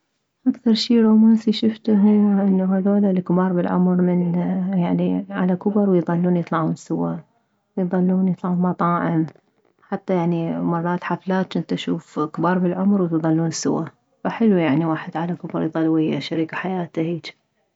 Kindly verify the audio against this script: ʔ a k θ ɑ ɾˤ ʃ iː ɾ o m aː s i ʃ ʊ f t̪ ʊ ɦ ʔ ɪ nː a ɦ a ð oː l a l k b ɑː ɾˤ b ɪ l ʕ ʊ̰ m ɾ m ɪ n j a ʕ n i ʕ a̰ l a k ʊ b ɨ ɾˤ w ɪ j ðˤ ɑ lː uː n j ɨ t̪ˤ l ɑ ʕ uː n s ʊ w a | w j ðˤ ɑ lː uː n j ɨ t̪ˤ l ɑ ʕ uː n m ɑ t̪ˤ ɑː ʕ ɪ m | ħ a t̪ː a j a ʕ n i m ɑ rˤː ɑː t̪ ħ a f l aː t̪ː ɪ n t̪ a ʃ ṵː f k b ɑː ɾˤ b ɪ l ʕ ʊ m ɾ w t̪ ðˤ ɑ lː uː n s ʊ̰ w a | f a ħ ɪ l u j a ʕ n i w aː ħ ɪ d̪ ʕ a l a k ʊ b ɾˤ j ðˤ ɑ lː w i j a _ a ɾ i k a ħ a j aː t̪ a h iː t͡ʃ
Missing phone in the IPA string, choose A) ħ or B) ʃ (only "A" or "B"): B